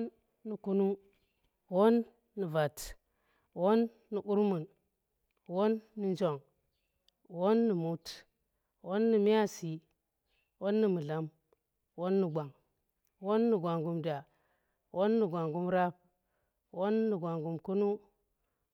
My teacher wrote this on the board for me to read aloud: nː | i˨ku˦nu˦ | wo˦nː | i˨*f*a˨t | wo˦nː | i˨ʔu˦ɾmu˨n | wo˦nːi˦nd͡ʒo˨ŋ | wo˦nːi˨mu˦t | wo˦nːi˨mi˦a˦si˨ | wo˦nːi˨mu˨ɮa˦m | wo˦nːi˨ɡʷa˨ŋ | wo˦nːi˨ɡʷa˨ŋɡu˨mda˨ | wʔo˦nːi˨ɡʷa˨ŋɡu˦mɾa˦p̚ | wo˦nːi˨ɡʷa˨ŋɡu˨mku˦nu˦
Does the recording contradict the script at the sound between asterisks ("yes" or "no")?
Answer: yes